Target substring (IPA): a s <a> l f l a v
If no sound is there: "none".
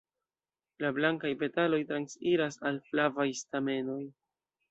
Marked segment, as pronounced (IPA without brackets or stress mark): a